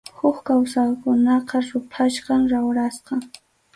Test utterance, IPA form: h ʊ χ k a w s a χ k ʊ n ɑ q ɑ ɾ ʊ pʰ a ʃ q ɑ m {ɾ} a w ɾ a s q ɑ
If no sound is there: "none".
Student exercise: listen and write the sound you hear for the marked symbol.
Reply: ɾ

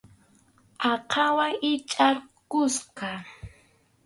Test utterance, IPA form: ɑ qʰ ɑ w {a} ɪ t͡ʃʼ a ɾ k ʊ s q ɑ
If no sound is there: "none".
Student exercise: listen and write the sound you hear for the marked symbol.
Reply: a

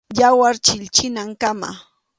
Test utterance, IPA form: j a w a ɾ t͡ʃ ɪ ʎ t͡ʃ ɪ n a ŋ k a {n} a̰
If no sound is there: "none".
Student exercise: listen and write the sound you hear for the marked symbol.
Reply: m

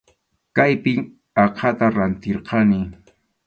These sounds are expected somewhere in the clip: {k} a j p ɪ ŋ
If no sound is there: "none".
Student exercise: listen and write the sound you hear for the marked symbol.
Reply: k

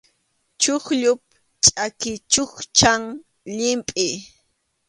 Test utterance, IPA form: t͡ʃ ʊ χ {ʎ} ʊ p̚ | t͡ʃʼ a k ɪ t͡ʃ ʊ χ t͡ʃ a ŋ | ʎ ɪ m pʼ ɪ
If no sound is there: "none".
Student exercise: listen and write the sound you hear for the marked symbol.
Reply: ʎ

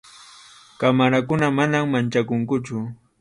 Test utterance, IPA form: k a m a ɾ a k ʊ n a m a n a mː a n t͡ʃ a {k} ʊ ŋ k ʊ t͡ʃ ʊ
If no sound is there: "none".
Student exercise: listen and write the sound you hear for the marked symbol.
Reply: k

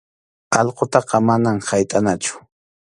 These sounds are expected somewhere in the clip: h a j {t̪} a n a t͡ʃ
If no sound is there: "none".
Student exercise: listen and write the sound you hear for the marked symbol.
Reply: t̪ʼ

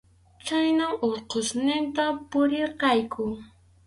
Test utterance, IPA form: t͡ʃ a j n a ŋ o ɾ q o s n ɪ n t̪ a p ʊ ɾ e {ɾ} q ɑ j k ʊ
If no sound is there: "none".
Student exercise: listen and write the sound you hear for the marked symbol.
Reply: ɾ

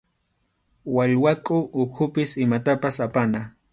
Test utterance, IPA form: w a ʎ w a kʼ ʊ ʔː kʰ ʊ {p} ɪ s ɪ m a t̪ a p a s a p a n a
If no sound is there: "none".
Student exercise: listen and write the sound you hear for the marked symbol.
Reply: p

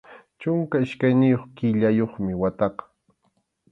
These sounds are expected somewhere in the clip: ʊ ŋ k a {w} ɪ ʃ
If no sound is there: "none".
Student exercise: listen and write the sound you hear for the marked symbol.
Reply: none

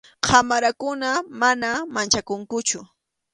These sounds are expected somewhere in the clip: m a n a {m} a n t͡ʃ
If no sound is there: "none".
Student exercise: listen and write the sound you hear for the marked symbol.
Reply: m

